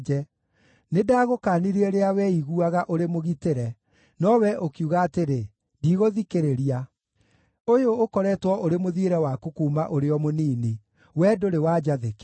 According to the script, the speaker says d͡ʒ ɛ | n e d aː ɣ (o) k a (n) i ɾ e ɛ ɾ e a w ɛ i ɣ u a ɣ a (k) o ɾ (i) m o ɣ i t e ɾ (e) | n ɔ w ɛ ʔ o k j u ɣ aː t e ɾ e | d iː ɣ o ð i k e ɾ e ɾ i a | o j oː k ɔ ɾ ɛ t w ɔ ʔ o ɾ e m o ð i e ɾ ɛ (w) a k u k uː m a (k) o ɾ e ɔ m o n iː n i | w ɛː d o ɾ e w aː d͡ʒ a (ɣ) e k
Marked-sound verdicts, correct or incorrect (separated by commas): correct, correct, incorrect, incorrect, incorrect, correct, incorrect, incorrect